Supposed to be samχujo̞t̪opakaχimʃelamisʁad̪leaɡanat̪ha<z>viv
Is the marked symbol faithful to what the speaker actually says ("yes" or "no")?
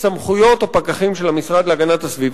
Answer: no